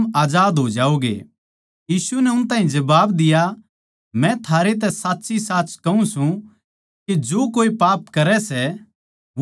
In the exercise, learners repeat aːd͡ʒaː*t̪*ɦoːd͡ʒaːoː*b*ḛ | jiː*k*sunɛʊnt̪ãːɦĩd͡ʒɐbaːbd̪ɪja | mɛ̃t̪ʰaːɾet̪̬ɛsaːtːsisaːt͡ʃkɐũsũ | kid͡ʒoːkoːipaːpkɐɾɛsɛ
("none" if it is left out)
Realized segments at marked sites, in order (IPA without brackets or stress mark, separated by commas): d̪, ɡ, none